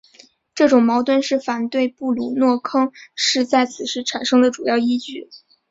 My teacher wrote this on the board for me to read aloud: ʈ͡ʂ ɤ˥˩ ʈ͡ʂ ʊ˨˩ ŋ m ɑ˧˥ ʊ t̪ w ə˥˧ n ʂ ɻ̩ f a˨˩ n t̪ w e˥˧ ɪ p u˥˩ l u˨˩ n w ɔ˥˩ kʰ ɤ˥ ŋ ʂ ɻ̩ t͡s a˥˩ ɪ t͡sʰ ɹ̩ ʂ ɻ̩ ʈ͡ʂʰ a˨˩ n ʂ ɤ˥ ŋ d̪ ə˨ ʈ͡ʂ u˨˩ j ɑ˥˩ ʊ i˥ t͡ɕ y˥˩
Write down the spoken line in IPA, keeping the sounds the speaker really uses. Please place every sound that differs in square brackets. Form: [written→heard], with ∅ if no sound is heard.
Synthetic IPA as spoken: ʈ͡ʂ ɤ˥˩ ʈ͡ʂ ʊ˨˩ ŋ m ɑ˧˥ ʊ t̪ w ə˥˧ n ʂ ɻ̩ f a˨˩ n t̪ w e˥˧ ɪ p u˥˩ l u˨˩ n w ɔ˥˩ kʰ ɤ˥ ŋ ʂ ɻ̩ t͡s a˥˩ ɪ t͡sʰ ɹ̩ ʂ ɻ̩ ʈ͡ʂʰ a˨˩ n ʂ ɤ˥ ŋ d̪ ə˨ ʈ͡ʂ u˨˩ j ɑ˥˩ ʊ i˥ t͡ɕ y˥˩